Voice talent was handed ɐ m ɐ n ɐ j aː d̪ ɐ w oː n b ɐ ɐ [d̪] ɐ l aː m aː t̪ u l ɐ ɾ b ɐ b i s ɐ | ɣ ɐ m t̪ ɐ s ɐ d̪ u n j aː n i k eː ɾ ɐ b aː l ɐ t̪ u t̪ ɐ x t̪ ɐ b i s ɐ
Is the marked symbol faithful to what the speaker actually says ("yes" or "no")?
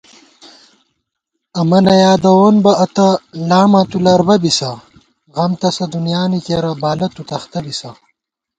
no